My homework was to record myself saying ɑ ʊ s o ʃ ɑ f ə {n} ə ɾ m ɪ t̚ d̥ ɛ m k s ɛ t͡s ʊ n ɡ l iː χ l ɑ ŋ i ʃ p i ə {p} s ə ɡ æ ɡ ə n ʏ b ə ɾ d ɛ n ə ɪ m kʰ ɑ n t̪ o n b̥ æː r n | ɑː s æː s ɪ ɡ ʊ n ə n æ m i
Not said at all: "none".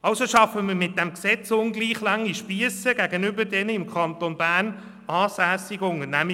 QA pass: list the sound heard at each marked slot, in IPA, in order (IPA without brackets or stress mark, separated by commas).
m, none